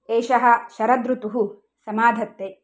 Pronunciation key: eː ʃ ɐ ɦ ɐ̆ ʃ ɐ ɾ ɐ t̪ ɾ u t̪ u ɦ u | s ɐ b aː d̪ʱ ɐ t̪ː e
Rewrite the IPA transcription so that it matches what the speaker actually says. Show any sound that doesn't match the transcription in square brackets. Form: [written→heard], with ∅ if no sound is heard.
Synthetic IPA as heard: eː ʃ ɐ ɦ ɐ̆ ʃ ɐ ɾ ɐ [t̪→d̪] ɾ u t̪ u ɦ u | s ɐ [b→m] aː d̪ʱ ɐ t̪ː e